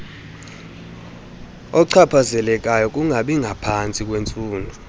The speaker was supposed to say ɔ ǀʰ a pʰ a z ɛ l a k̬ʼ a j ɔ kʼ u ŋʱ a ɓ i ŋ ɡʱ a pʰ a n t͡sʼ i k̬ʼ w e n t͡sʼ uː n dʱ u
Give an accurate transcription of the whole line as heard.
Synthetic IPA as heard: ɔ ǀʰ a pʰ a z ɛ l ɛ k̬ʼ a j ɔ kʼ u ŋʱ a ɓ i ŋ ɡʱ a pʰ a n t͡sʼ i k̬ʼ w e n t͡sʼ uː n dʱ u